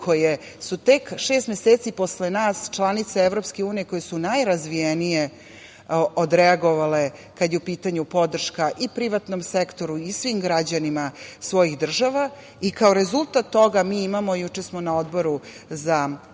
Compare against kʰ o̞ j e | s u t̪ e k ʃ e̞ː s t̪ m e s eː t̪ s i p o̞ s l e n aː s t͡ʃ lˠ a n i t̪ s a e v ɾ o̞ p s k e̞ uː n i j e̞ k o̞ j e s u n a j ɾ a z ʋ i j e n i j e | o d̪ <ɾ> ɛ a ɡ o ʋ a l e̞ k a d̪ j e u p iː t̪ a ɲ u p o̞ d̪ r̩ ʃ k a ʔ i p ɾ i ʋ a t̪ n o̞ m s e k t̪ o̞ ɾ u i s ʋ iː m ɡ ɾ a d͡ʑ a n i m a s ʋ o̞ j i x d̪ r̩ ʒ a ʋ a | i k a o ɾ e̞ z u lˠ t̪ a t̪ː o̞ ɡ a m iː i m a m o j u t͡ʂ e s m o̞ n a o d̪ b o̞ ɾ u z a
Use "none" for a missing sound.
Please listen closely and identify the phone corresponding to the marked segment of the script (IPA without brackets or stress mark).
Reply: ɾ